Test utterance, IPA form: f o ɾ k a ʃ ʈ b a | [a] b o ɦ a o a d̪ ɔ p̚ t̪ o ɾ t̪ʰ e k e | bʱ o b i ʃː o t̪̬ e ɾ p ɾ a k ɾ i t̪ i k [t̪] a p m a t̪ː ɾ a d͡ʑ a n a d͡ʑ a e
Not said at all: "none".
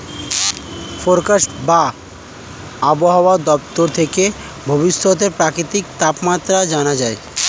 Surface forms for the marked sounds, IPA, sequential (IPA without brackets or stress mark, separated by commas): a, t̪